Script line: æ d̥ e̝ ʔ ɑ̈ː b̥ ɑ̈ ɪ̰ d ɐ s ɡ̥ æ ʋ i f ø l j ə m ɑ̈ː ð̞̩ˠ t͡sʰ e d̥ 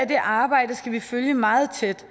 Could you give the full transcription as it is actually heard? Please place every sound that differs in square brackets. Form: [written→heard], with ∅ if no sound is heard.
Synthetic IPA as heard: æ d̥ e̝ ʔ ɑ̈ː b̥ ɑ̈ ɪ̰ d [ɐ→ə] s ɡ̥ æ ʋ i f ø l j ə m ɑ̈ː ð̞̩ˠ t͡sʰ e d̥